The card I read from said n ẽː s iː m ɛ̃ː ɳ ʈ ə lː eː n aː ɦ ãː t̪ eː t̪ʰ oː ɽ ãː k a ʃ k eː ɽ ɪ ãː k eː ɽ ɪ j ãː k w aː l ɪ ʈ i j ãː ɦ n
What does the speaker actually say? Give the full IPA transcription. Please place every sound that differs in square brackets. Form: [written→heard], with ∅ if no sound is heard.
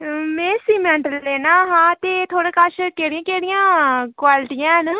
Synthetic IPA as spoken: [n→m] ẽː s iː m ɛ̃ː ɳ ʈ ə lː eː n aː ɦ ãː t̪ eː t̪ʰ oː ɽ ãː k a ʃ k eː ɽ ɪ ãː k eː ɽ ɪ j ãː k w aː l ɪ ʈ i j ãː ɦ n